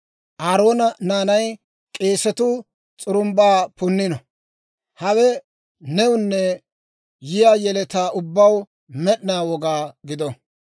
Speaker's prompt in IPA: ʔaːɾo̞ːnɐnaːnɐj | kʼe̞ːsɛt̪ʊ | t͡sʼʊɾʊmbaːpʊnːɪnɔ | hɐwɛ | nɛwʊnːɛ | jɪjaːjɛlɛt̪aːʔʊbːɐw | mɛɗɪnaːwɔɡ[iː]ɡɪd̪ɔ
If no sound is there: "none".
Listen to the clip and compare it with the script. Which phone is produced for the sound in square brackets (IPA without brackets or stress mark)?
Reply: aː